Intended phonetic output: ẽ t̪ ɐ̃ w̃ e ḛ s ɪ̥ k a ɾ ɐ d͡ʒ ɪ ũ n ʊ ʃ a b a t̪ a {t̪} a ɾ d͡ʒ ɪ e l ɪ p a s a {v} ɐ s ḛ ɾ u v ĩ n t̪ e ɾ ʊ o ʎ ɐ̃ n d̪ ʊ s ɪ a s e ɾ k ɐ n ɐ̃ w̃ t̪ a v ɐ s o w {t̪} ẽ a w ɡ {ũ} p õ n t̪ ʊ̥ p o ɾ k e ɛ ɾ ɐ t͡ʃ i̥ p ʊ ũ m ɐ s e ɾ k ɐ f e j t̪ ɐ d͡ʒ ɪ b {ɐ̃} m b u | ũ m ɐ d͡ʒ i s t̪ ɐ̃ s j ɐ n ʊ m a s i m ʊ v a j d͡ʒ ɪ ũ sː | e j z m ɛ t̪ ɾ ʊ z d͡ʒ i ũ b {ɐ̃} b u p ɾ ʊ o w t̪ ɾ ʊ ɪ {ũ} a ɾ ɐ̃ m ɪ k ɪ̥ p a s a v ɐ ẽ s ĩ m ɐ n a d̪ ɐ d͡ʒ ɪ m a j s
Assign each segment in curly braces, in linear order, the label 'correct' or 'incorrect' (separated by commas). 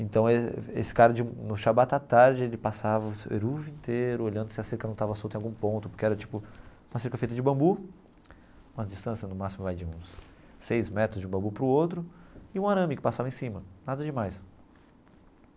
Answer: correct, correct, correct, correct, correct, correct, correct